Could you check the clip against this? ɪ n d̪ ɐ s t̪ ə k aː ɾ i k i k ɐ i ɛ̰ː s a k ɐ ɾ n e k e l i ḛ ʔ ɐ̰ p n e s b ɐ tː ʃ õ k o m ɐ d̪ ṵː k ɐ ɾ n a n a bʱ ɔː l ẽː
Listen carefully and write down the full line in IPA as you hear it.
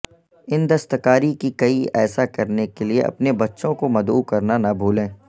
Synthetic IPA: ɪ n d̪ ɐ s t̪ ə k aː ɾ i k i k ɐ i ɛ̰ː s a k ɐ ɾ n e k e l i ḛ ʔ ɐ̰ p n e b ɐ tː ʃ õ k o m ɐ d̪ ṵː k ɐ ɾ n a n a bʱ uː l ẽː